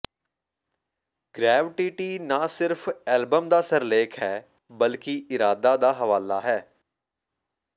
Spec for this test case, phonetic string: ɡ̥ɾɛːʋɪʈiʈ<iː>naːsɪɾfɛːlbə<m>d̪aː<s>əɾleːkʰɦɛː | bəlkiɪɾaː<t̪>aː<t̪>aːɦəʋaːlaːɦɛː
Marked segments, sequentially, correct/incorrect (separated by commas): correct, correct, correct, incorrect, incorrect